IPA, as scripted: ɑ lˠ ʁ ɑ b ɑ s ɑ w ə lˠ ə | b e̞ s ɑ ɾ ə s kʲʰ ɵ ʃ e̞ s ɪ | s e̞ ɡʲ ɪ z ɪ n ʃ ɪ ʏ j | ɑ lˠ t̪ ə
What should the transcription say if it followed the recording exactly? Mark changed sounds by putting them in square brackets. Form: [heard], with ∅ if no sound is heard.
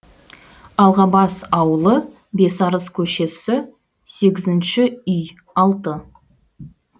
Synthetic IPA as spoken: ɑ lˠ ʁ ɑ b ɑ s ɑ w ə lˠ ə | b e̞ s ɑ ɾ ə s kʲʰ ɵ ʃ e̞ s ɪ | s e̞ ɡʲ ɪ z ɪ n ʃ ɪ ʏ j | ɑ lˠ t̪ ə